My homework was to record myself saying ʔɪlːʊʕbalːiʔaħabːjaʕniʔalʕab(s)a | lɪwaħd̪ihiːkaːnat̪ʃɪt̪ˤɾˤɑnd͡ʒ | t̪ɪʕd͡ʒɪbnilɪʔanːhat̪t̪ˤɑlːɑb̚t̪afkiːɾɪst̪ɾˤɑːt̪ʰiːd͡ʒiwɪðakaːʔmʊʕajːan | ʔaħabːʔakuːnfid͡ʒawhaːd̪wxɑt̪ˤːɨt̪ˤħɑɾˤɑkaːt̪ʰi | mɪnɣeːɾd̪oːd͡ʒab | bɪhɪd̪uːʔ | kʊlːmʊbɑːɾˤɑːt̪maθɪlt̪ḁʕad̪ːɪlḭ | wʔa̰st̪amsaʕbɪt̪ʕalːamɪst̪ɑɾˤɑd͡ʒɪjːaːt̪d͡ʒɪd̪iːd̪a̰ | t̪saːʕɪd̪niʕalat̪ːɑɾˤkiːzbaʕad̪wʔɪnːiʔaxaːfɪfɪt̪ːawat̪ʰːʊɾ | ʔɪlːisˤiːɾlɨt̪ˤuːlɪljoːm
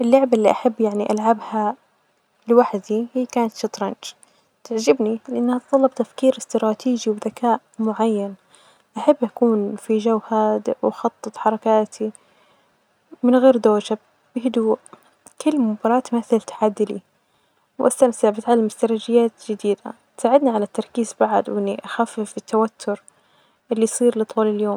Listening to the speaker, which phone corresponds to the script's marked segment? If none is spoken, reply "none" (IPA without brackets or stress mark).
h